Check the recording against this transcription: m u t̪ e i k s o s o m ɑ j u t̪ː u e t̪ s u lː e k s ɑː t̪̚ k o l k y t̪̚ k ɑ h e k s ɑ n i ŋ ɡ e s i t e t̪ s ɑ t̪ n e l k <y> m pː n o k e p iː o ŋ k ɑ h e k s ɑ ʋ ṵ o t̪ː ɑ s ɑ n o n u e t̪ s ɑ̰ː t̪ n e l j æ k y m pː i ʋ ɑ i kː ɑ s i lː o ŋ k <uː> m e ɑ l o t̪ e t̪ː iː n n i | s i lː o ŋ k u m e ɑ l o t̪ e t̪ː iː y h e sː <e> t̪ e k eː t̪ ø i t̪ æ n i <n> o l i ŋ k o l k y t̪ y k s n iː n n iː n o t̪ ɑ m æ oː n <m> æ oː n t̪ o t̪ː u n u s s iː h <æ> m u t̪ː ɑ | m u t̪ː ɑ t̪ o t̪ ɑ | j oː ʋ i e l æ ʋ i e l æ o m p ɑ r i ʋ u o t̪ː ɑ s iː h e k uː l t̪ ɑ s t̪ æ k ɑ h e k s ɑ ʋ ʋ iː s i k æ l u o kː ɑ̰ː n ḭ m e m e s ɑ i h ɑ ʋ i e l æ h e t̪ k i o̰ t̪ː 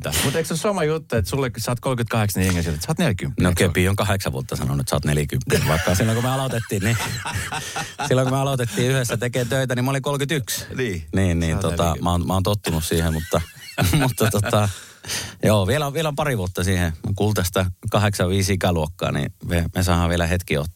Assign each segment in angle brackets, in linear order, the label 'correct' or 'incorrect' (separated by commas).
correct, incorrect, incorrect, incorrect, correct, incorrect